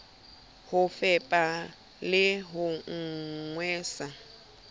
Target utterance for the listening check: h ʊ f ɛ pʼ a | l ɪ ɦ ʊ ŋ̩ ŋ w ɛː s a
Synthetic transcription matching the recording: h ʊ f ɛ pʼ a | l ɪ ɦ ʊ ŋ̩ ŋ w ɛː s a